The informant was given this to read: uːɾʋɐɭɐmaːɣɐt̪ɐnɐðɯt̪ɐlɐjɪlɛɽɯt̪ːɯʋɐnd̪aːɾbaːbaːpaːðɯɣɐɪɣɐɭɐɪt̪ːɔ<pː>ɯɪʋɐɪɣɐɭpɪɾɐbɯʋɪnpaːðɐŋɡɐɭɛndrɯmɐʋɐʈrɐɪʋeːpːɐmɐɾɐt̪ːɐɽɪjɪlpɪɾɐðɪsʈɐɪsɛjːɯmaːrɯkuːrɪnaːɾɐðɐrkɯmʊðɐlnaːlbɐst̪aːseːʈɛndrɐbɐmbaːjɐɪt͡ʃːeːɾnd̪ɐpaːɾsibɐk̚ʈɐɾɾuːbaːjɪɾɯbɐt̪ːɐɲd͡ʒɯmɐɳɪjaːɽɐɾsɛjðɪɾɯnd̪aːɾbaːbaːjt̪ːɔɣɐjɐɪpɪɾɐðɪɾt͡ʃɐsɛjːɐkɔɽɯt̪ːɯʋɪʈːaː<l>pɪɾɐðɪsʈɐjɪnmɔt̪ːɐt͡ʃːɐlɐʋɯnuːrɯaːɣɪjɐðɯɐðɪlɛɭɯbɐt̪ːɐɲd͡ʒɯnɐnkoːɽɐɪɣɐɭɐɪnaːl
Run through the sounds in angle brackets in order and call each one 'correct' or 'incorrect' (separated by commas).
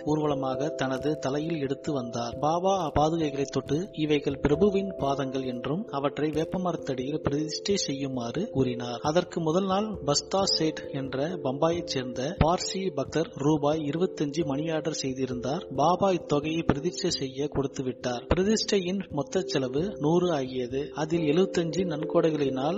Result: incorrect, incorrect